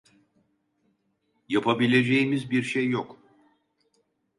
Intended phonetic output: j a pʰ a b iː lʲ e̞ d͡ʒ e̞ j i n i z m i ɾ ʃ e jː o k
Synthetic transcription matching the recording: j a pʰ a b i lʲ e̞ d͡ʒ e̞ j i m i z b i ɾ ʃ e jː o k

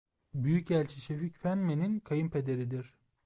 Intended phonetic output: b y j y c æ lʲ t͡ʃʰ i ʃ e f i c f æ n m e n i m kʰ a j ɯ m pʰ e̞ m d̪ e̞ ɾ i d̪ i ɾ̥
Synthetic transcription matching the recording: b y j y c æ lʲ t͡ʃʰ i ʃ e f i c f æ n m e n i n kʰ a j ɯ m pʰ e̞ d̪ e̞ ɾ i d̪ i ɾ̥

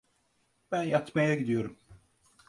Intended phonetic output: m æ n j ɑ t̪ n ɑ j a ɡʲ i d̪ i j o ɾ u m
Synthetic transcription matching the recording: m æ n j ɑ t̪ m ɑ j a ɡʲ i d̪ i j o ɾ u m

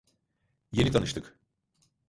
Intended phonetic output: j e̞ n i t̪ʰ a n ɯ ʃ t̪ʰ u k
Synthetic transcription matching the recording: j e̞ n i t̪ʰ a n ɯ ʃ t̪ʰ ɯ k

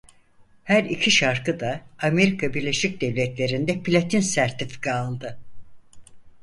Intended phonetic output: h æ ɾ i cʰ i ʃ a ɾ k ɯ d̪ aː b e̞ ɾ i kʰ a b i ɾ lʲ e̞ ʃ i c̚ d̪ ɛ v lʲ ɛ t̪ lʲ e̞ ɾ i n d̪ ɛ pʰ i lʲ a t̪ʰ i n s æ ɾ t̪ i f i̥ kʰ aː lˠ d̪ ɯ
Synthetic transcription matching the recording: h æ ɾ i cʰ i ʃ a ɾ k ɯ d̪ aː m e̞ ɾ i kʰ a b i ɾ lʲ e̞ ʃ i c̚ d̪ ɛ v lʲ ɛ t̪ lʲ e̞ ɾ i n d̪ ɛ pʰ i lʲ a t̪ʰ i n s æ ɾ t̪ i f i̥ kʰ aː lˠ d̪ ɯ

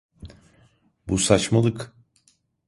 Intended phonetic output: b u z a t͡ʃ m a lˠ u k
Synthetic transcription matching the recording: b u s a t͡ʃ m a lˠ ɯ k

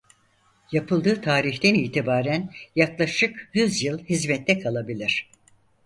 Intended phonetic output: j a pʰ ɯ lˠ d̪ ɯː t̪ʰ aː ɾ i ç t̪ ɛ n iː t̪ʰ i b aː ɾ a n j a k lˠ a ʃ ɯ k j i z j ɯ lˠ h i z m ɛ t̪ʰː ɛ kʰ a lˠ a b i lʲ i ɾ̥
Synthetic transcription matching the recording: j a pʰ ɯ lˠ d̪ ɯː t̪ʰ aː ɾ i ç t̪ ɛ n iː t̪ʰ i b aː ɾ æ n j a k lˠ a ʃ ɯ k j y z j ɯ lˠ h i z m ɛ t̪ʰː ɛ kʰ a lˠ a b i lʲ i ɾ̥

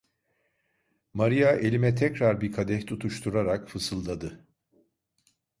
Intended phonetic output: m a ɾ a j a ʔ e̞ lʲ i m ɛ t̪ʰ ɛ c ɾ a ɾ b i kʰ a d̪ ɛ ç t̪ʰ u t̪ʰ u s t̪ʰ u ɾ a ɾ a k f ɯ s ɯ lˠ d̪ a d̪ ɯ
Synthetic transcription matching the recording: m a ɾ i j a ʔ e̞ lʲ i m ɛ t̪ʰ ɛ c ɾ a ɾ b i kʰ a d̪ ɛ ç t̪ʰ u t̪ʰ u ʃ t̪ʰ u ɾ a ɾ a k f ɯ s ɯ lˠ d̪ a d̪ ɯ

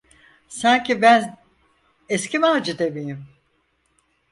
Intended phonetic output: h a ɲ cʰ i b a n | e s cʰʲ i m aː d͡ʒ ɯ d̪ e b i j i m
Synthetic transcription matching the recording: s a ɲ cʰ i b æ n | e s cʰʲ i m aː d͡ʒ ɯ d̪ e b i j i m

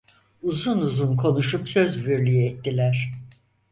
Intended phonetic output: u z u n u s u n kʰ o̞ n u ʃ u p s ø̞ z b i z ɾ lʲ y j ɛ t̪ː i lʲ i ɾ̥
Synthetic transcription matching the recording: u z u n u z u n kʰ o̞ n u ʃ u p s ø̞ z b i ɾ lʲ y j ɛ t̪ː i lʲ æ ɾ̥

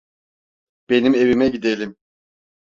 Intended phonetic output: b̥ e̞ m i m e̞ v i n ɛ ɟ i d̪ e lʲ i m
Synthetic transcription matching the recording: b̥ e̞ n i m e̞ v i m ɛ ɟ i d̪ e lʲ i m

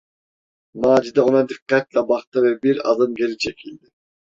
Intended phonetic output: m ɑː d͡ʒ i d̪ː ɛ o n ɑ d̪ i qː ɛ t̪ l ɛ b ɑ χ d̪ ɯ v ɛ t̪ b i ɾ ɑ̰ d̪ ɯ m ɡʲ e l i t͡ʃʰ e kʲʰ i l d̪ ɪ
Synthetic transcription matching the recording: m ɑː d͡ʒ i d̪ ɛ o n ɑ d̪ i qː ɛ t̪ l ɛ b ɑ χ t̪ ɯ v ɛ b i ɾ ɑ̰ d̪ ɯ m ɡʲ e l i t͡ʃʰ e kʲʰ i l d̪ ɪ

